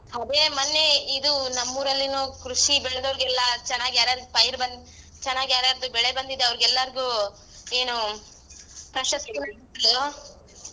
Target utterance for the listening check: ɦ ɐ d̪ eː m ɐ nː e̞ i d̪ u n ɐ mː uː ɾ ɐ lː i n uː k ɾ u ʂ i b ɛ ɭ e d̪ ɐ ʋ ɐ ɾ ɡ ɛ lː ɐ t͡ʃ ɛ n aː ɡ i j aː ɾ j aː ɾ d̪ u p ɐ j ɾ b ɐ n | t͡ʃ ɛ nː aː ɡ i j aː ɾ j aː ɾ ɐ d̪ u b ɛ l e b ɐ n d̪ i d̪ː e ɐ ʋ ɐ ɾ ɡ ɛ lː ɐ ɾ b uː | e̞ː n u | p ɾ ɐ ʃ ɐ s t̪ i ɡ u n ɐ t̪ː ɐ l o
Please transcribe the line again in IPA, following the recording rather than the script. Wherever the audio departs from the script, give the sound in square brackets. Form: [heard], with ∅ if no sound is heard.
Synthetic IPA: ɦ ɐ d̪ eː m ɐ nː e̞ i d̪ u n ɐ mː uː ɾ ɐ lː i n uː k ɾ u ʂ i b ɛ ɭ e d̪ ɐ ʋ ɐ ɾ ɡ ɛ lː ɐ t͡ʃ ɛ [nː] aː ɡ i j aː ɾ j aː ɾ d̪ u p ɐ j ɾ b ɐ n | t͡ʃ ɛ nː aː ɡ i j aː ɾ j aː ɾ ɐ d̪ u b ɛ [ɭ] e b ɐ n d̪ i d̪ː e ɐ ʋ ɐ ɾ ɡ ɛ lː ɐ ɾ [ɡ] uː | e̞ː n u | p ɾ ɐ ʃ ɐ s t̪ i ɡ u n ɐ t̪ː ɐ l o